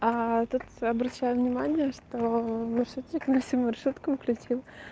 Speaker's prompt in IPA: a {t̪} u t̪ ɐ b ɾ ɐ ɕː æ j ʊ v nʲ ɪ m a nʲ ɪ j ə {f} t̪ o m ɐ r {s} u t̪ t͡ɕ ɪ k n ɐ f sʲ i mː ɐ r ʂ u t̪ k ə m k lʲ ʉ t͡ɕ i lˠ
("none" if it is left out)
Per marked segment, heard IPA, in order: t̪, ʂ, ʂ

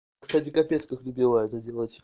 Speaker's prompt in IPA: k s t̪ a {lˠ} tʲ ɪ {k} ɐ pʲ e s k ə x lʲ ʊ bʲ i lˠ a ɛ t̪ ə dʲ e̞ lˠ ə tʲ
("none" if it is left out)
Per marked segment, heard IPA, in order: none, k

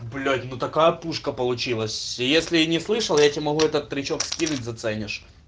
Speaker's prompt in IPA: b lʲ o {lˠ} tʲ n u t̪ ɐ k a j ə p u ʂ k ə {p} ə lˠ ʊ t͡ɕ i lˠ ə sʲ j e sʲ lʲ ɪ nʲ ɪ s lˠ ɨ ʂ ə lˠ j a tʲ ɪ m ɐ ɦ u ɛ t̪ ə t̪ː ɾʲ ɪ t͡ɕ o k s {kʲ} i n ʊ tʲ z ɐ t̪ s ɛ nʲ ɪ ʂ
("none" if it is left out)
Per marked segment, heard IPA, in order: none, p, kʲ

